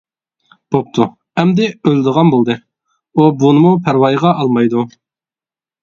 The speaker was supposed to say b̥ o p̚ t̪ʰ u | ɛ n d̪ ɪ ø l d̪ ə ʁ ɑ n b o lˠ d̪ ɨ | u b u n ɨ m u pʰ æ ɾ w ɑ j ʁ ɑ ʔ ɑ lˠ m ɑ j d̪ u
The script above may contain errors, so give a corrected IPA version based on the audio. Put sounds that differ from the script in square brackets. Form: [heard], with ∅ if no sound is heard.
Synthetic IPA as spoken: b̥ o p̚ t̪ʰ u | ɛ [m] d̪ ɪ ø l d̪ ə ʁ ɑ n b o lˠ d̪ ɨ | u b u n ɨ m u pʰ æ ɾ w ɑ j ʁ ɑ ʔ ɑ lˠ m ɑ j d̪ u